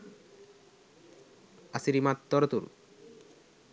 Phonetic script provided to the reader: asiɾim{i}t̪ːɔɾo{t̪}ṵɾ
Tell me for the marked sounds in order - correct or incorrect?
incorrect: a, correct

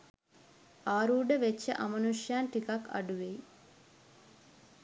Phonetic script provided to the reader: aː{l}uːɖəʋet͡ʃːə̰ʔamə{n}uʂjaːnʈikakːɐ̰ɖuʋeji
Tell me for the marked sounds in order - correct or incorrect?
incorrect: ɾ, correct

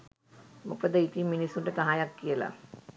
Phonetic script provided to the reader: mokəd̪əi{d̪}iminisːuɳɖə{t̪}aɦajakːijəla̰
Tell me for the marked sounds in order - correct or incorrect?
incorrect: t̪, correct

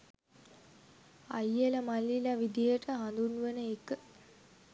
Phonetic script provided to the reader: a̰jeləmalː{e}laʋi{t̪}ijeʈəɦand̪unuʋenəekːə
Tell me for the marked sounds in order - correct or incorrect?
incorrect: i, incorrect: d̪

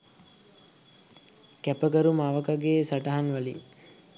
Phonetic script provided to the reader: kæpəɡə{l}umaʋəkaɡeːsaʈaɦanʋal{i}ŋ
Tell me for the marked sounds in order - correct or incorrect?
incorrect: ɾ, correct

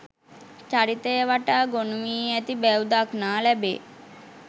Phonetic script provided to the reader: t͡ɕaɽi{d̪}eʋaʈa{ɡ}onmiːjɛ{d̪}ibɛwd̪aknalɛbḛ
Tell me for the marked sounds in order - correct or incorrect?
incorrect: t̪, correct, incorrect: t̪

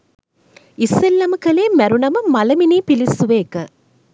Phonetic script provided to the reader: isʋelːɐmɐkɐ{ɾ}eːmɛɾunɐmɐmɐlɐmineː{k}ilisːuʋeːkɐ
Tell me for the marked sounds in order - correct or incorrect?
incorrect: l, incorrect: p

